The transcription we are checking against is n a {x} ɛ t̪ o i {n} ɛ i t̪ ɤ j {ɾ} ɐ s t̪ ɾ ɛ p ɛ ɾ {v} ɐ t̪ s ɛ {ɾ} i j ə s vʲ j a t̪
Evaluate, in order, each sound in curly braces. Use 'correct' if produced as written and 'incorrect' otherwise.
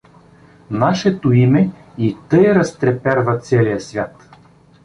incorrect: ʃ, incorrect: m, correct, correct, incorrect: l

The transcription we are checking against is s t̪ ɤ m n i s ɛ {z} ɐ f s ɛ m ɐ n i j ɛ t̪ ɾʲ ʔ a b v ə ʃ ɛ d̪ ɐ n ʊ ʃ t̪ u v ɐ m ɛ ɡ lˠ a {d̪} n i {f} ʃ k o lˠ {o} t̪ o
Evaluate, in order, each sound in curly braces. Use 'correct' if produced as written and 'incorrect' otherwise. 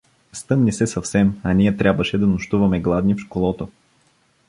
incorrect: s, correct, correct, incorrect: ɔ

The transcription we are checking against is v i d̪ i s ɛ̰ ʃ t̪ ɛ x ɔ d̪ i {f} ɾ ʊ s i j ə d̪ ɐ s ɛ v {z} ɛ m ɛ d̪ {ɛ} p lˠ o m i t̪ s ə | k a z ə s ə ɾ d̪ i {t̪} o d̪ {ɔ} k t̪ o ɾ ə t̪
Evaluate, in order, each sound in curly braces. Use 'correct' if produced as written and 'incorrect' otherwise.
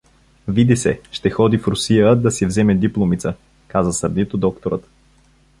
correct, correct, incorrect: i, correct, correct

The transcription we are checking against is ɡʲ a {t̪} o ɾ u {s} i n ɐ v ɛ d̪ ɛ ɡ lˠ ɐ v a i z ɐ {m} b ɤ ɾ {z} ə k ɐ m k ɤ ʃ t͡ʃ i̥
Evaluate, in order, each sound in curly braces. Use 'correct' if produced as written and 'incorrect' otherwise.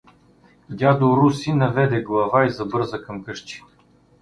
incorrect: d̪, correct, incorrect: none, correct

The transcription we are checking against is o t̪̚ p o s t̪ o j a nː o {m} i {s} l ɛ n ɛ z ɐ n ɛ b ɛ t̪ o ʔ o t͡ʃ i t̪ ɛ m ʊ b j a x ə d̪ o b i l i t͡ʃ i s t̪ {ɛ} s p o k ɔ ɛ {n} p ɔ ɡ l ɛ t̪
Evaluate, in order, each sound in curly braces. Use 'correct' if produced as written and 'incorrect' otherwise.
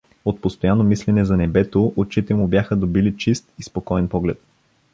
correct, correct, incorrect: i, correct

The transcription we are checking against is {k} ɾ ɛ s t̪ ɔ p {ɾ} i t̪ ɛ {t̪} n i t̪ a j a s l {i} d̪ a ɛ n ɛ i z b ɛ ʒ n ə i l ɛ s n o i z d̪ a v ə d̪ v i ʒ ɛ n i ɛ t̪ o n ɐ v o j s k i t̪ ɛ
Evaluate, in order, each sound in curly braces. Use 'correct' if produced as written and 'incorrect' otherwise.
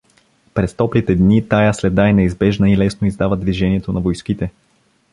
incorrect: p, incorrect: l, incorrect: d̪, incorrect: ɛ

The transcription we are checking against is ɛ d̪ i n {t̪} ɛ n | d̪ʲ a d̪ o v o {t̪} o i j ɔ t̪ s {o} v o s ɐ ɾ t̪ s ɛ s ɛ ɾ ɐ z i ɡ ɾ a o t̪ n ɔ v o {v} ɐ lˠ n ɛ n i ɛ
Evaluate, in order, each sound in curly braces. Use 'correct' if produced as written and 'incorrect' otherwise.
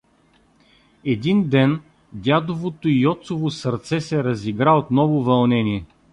incorrect: d̪, correct, correct, correct

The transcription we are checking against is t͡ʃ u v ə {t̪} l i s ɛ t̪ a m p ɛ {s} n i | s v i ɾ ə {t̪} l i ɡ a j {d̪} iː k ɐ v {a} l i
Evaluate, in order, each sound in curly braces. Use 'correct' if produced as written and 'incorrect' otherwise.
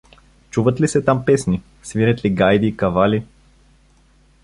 correct, correct, correct, correct, correct

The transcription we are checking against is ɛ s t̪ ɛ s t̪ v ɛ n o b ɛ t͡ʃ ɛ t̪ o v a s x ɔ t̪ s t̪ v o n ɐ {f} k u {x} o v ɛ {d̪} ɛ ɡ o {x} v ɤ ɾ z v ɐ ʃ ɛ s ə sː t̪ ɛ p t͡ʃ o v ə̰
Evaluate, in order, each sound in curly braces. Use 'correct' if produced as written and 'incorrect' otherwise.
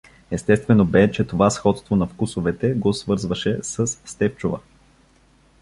correct, incorrect: s, incorrect: t̪, incorrect: s

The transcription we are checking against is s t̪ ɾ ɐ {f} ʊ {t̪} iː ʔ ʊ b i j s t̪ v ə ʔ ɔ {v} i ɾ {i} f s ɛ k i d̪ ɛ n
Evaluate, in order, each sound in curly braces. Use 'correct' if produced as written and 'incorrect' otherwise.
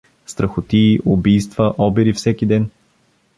incorrect: x, correct, incorrect: b, correct

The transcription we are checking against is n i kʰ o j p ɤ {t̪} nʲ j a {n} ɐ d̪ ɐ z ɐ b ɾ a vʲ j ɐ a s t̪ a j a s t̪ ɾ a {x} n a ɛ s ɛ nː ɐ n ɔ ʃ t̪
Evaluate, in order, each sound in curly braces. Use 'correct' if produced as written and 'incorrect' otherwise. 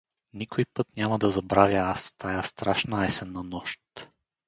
correct, incorrect: m, incorrect: ʃ

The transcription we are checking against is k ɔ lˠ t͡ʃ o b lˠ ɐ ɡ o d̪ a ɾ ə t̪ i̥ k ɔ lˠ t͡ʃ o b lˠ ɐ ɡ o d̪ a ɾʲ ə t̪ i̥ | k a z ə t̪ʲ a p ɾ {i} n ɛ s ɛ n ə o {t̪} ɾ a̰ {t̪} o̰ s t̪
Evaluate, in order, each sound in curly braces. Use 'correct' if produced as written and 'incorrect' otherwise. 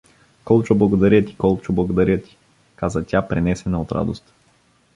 incorrect: ɛ, correct, incorrect: d̪

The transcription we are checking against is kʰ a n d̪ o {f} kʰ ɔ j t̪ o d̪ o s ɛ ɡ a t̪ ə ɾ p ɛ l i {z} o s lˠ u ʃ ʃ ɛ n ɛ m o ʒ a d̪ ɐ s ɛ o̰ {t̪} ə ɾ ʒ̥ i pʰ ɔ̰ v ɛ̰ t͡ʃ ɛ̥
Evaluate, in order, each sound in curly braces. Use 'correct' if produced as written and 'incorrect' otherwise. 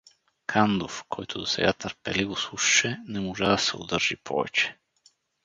correct, incorrect: v, incorrect: d̪

